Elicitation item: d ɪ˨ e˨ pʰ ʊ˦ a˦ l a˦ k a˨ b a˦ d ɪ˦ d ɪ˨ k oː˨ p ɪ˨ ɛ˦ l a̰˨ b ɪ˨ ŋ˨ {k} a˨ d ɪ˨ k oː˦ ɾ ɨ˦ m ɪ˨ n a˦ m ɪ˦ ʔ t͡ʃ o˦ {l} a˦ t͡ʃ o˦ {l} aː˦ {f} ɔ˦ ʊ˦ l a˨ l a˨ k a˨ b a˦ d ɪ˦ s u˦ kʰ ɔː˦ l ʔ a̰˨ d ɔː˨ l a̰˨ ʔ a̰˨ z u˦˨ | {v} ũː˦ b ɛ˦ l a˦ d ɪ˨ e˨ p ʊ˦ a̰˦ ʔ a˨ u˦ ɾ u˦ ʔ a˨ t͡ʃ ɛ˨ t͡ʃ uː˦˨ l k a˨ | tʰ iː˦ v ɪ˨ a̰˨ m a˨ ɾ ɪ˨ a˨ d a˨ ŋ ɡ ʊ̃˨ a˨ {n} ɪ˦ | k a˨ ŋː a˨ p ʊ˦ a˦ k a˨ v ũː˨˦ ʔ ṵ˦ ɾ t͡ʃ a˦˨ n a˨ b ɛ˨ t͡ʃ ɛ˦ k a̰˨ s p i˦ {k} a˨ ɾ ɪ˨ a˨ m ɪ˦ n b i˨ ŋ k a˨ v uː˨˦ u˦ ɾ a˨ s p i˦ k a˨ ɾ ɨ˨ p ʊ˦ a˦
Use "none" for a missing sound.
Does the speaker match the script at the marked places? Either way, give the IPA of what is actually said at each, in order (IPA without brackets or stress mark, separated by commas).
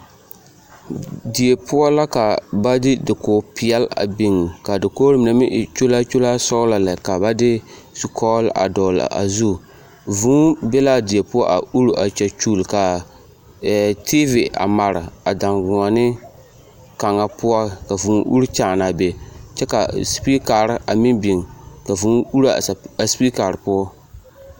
k, l, l, s, v, n, k